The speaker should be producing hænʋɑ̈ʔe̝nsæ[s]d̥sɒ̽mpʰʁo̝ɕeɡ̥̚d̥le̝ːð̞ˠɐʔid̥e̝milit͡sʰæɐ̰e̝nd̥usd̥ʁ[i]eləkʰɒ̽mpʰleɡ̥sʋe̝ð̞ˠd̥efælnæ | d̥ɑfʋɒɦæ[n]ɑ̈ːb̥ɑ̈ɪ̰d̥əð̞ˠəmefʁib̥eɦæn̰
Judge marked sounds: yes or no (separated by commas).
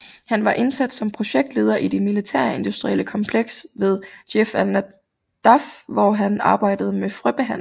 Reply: no, yes, yes